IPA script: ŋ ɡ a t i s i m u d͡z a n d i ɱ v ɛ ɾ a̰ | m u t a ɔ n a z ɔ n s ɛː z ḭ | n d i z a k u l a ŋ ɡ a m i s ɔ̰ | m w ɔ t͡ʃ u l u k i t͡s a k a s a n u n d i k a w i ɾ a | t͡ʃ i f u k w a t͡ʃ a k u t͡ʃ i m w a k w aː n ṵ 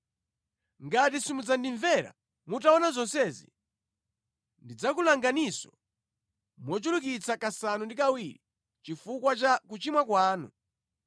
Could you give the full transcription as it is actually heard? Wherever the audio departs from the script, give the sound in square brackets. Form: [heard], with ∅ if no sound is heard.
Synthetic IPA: ŋ ɡ a t i s i m u d͡z a n d i ɱ v ɛ ɾ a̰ | m u t a ɔ n a z ɔ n s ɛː z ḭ | n d i [d͡z] a k u l a ŋ ɡ a [n] i s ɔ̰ | m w ɔ t͡ʃ u l u k i t͡s a k a s a n u n d i k a w i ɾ [i] | t͡ʃ i f u k w a t͡ʃ a k u t͡ʃ i m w a k w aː n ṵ